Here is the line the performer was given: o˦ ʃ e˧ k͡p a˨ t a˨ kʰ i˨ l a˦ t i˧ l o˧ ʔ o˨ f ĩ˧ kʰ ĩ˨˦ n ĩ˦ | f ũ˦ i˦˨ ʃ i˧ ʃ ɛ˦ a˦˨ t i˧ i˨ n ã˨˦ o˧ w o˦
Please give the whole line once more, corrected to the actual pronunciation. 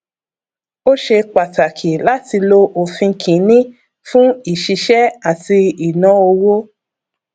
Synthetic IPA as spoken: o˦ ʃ e˧ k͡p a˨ t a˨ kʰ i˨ l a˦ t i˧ l o˧ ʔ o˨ f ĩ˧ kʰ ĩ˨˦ n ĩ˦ | f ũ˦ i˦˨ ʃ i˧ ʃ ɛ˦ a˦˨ t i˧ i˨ n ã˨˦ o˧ w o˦